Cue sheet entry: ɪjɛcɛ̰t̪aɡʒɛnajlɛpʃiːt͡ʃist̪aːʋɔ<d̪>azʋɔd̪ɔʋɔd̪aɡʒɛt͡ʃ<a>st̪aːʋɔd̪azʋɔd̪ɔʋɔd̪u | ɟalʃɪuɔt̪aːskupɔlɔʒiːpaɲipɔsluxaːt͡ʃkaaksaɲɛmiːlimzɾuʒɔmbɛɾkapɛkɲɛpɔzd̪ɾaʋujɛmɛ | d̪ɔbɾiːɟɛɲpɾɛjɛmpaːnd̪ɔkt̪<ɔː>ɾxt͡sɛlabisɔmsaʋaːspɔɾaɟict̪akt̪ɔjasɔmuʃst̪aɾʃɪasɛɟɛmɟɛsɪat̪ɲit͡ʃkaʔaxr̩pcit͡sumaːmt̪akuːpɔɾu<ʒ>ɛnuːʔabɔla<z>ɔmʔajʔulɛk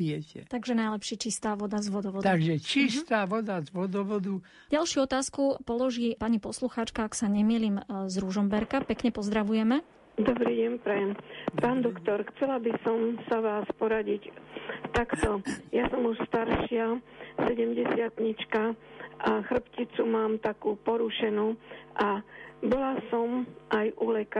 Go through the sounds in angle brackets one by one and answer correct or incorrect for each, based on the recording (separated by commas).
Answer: correct, incorrect, incorrect, incorrect, incorrect